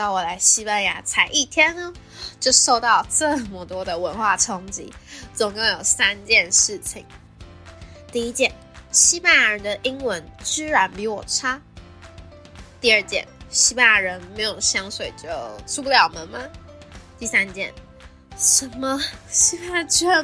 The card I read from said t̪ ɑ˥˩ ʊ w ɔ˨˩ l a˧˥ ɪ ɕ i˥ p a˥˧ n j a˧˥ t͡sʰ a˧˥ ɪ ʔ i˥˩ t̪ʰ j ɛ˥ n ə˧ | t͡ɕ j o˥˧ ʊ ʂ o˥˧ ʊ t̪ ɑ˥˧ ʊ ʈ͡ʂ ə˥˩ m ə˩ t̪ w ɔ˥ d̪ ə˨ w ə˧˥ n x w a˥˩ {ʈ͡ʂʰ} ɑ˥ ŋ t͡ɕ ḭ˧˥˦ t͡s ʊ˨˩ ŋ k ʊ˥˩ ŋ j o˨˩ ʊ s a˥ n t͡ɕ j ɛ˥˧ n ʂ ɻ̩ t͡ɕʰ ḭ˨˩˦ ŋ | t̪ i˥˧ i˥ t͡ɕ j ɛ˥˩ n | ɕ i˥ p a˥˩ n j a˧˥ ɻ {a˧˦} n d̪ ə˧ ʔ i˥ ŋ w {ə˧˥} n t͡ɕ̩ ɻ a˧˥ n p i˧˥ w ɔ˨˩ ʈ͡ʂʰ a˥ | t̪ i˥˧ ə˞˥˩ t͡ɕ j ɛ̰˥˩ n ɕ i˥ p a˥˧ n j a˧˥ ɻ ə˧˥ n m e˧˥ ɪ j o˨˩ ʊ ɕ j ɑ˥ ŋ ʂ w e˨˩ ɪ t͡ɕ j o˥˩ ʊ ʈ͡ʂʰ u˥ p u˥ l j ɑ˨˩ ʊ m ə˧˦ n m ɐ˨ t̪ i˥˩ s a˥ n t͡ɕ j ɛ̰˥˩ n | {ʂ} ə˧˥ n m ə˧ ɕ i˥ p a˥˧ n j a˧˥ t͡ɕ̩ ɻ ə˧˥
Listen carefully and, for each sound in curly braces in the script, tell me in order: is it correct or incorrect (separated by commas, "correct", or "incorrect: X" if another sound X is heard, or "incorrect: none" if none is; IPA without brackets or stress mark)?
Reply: correct, incorrect: ə˧˦, correct, correct